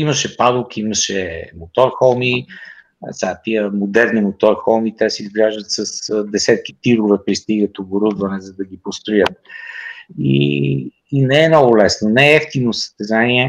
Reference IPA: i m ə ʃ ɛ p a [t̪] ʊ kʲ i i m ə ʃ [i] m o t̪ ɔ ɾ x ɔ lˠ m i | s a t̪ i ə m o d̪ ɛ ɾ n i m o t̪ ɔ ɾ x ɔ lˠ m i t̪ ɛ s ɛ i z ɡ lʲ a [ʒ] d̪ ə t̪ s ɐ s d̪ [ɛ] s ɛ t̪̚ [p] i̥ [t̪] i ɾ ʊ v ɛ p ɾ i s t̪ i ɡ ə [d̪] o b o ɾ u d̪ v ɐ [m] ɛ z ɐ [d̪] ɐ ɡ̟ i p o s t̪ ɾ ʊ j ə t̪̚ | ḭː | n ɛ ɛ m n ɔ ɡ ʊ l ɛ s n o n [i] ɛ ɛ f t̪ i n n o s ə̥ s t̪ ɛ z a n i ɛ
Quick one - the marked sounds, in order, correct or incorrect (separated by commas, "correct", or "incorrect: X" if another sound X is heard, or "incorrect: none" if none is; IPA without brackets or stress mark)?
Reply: incorrect: d̪, incorrect: ɛ, correct, correct, incorrect: k, correct, incorrect: t̪, incorrect: n, correct, incorrect: ɛ